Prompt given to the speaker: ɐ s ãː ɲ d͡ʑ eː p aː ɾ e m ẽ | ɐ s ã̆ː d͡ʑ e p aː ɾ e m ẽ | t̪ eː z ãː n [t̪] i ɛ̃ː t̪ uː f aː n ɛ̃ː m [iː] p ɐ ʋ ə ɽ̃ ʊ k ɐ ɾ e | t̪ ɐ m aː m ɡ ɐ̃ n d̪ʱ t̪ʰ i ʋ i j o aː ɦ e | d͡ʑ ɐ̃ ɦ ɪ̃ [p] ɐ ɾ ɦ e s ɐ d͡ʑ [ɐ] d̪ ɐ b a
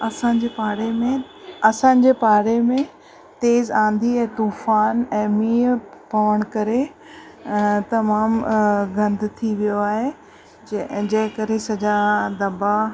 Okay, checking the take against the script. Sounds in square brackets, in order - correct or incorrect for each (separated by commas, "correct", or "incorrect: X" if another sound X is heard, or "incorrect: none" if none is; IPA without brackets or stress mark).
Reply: incorrect: d̪, correct, incorrect: k, incorrect: a